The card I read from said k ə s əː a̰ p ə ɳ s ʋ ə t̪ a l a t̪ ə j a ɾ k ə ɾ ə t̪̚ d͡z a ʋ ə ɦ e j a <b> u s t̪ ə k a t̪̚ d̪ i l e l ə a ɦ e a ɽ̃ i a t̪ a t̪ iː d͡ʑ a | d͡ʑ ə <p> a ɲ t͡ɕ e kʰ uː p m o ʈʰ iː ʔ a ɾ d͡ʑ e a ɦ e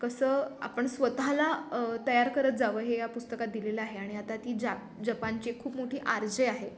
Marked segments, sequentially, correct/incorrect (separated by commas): incorrect, correct